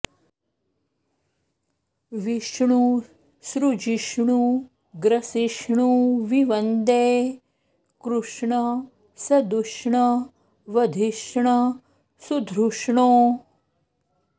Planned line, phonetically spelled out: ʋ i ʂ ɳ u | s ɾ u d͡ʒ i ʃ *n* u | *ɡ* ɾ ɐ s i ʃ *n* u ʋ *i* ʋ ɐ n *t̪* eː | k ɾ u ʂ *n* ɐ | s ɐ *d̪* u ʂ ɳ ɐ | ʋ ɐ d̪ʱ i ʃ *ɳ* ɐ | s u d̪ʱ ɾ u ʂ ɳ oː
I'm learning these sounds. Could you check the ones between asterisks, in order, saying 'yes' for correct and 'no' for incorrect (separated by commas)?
no, yes, no, yes, no, no, yes, yes